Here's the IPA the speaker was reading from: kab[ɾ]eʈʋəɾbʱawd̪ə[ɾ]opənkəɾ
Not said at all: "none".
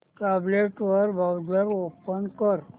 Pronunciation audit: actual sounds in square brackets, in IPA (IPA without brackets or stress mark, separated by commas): l, ɾ